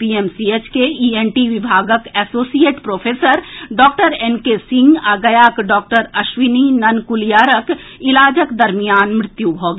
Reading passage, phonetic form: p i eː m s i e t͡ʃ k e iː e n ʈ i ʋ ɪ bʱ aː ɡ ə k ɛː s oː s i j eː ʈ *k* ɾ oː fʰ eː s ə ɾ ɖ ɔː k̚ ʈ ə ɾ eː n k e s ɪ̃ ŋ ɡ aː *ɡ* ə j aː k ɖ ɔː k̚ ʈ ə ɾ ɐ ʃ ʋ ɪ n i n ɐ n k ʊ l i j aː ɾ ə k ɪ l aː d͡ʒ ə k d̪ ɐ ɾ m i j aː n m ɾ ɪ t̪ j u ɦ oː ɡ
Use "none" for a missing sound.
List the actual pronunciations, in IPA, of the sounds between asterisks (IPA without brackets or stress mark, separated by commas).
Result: p, ɡ